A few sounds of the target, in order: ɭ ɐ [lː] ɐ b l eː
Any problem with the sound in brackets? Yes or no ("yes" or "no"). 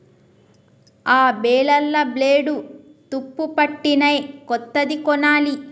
no